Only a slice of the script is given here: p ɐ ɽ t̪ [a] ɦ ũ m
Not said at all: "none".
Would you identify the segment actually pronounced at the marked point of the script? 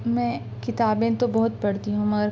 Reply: i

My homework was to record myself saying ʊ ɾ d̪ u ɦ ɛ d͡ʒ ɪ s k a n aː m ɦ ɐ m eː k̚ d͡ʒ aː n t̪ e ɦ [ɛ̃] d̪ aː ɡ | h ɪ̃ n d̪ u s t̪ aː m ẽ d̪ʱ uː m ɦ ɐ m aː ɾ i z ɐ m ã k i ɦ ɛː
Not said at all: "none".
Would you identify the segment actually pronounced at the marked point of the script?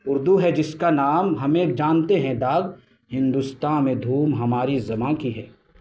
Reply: ɛ̃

